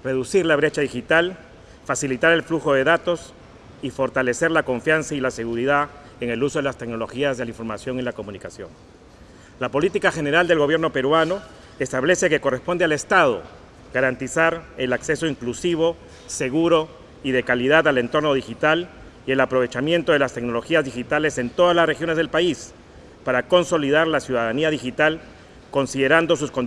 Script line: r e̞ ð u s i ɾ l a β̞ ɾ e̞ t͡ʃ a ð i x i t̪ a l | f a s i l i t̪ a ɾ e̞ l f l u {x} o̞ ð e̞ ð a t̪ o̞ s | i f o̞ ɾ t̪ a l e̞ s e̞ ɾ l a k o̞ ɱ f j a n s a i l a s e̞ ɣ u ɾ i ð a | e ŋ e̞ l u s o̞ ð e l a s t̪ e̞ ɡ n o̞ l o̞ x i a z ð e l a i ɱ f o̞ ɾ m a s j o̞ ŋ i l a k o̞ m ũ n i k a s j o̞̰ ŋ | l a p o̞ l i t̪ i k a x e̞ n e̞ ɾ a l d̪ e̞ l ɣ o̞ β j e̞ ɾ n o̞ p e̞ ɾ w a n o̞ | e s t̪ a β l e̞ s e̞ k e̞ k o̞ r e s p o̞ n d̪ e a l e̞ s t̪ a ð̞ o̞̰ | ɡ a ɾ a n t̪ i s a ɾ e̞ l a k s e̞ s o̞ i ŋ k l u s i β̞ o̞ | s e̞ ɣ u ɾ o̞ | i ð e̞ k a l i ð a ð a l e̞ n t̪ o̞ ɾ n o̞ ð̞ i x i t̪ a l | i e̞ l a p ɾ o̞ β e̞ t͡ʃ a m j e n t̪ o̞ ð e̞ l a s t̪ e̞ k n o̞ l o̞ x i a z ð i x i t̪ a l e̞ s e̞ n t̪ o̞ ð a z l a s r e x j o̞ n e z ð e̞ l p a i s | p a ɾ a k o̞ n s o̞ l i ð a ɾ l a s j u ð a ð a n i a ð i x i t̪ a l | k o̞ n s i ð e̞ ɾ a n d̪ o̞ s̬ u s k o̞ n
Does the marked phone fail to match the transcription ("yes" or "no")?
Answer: no